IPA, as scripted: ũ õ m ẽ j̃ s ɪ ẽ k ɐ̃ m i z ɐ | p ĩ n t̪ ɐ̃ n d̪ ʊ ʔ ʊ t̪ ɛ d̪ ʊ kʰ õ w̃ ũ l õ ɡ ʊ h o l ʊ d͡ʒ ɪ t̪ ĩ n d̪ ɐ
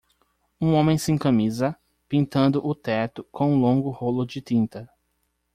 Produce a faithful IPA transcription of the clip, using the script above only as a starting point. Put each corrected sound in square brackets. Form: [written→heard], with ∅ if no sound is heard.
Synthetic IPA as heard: ũ õ m ẽ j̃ s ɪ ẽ k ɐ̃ m i z ɐ | p ĩ n t̪ ɐ̃ n d̪ ʊ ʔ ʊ t̪ ɛ [d̪→t̪] ʊ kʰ õ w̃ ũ l õ ɡ ʊ h o l ʊ d͡ʒ ɪ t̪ ĩ n [d̪→t̪] ɐ